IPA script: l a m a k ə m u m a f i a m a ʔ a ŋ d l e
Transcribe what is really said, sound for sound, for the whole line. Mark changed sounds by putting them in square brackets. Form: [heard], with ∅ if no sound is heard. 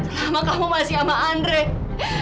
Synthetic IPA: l a m a k [a] m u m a [s] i a m a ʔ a [n] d [ɾ] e